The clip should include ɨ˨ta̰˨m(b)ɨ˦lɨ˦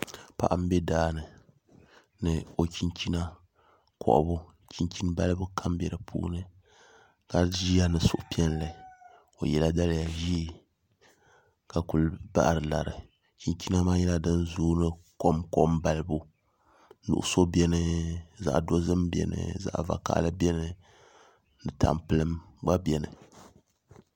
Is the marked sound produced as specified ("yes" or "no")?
no